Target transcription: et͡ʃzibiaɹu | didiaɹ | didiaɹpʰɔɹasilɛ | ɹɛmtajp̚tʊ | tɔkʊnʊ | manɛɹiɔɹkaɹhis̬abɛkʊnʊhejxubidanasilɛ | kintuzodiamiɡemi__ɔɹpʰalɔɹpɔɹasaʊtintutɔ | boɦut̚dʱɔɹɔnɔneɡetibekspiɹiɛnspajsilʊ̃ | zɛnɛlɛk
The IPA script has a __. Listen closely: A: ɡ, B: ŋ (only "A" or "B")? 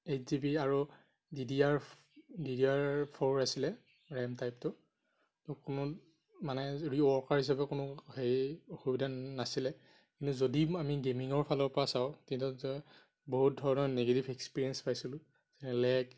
B